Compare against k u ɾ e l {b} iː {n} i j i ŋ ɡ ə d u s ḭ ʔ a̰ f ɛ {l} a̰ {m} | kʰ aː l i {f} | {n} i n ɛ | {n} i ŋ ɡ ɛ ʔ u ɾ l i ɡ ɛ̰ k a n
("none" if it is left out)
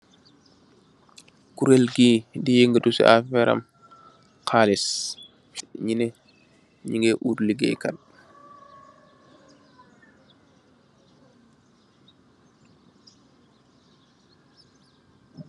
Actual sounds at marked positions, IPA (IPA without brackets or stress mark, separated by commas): ɡ, d, ɾ, m, s, ɲ, ɲ